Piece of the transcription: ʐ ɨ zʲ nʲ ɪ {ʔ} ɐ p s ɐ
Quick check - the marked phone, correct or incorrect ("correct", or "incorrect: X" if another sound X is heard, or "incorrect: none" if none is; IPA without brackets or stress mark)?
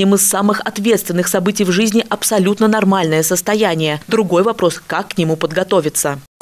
correct